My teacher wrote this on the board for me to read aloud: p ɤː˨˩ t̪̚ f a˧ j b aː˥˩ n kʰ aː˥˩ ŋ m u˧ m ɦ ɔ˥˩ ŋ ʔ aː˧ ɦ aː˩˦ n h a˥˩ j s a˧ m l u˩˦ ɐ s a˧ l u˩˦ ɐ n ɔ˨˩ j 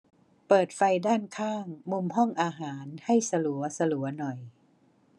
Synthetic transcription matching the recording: p ɤː˨˩ t̪̚ f a˧ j d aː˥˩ n kʰ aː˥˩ ŋ m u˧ m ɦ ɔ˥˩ ŋ ʔ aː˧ ɦ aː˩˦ n h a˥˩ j s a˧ l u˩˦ ɐ s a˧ l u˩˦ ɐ n ɔ˨˩ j